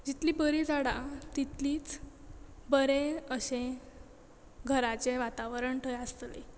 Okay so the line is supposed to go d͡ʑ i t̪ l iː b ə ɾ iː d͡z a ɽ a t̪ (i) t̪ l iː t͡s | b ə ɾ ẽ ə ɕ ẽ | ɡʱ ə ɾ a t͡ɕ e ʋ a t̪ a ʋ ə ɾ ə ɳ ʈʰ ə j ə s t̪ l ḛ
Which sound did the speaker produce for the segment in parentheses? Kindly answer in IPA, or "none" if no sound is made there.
i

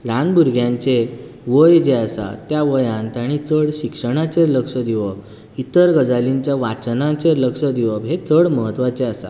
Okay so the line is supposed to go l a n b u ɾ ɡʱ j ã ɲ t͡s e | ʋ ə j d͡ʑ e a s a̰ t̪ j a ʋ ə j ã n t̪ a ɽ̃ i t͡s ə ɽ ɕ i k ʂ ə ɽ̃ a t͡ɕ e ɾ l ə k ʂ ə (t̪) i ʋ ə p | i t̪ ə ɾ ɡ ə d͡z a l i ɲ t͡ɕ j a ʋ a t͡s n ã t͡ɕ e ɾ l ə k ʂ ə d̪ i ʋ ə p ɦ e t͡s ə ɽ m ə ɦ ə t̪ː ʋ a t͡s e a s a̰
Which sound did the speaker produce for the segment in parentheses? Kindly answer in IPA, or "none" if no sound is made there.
d̪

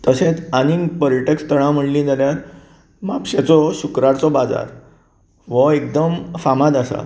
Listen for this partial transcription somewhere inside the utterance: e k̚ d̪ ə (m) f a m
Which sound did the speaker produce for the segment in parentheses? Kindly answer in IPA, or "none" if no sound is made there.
m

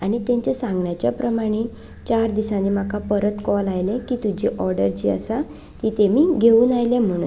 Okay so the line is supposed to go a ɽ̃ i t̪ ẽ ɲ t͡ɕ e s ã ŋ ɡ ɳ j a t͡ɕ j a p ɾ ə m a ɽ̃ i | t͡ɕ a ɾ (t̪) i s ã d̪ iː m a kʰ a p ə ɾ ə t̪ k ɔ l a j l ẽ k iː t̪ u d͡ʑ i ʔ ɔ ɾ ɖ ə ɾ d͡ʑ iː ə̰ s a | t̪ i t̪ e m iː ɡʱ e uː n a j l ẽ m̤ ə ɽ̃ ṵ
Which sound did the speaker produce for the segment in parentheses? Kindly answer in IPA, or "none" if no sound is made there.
d̪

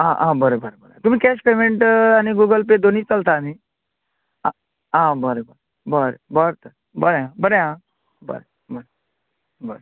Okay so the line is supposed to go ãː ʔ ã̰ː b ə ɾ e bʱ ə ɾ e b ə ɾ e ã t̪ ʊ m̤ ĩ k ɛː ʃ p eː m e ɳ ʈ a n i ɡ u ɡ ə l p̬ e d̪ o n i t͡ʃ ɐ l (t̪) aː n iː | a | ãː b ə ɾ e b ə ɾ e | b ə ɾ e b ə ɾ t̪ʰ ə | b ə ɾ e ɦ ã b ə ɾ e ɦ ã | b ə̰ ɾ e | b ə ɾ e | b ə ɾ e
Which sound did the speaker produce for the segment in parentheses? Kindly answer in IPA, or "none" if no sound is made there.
t̪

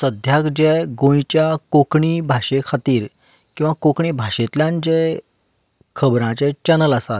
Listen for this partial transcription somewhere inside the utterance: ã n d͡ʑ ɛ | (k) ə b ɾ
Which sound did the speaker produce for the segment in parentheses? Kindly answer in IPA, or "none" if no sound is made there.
kʰ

